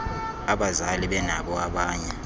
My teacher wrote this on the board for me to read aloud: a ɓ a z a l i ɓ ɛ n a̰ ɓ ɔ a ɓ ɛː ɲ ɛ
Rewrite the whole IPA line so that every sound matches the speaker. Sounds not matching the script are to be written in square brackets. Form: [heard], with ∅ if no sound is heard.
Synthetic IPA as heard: a ɓ a z a l i ɓ ɛ n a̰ ɓ ɔ a ɓ [aː] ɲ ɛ